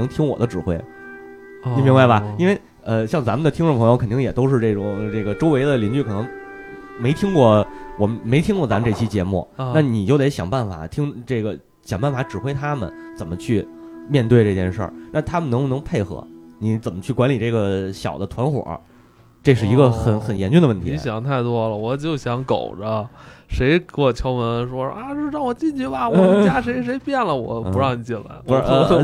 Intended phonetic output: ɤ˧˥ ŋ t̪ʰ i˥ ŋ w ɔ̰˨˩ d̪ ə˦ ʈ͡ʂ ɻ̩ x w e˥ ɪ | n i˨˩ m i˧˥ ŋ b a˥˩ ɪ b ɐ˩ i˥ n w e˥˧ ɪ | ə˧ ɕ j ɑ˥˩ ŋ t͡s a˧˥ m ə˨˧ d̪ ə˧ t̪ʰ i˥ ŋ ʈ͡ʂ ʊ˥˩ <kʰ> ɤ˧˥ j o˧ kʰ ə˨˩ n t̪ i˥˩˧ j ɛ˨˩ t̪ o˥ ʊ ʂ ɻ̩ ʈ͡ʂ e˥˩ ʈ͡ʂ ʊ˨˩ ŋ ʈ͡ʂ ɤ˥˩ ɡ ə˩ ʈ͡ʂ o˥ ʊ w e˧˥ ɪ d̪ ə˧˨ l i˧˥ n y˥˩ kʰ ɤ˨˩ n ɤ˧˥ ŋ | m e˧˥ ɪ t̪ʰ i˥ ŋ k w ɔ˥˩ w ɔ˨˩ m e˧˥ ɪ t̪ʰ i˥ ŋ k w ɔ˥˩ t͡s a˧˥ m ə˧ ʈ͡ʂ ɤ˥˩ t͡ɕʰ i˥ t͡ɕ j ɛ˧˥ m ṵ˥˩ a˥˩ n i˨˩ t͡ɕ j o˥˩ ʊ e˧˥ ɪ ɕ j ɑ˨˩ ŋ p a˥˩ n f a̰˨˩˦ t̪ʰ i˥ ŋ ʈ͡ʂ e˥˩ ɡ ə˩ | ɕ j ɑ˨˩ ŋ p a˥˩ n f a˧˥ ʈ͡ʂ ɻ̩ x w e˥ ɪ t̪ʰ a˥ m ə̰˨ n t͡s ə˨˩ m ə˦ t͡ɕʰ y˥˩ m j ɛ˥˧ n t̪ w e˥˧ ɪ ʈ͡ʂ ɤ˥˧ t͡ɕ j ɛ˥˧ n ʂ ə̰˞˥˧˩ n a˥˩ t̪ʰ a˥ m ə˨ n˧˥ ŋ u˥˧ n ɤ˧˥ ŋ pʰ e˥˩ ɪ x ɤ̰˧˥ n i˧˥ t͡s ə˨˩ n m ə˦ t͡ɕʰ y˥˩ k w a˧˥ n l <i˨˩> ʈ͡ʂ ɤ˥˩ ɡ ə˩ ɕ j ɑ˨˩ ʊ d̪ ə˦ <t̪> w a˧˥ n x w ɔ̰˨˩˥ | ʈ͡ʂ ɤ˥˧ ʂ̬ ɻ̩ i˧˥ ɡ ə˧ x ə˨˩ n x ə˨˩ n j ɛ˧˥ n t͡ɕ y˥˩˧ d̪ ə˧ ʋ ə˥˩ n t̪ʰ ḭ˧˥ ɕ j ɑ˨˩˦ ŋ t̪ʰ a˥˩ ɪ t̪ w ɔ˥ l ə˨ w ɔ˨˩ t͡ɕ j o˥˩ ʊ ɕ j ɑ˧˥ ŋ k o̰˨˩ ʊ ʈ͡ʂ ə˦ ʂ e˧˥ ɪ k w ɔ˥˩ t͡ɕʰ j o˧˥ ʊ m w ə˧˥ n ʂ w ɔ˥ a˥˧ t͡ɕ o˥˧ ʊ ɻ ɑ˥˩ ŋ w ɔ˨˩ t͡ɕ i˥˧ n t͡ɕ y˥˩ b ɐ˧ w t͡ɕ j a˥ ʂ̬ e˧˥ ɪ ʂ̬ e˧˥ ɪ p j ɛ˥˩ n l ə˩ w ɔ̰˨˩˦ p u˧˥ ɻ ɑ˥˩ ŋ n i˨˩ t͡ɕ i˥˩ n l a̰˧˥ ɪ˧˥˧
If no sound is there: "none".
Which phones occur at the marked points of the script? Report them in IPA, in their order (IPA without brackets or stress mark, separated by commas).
pʰ, i˨˩, t̪ʰ